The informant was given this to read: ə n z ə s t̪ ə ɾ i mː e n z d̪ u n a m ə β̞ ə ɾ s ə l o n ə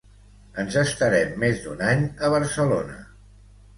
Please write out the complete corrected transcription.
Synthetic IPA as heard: ə n z ə s t̪ ə ɾ ɛ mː e z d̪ u n a ɲ ə β̞ ə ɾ s ə l o n ə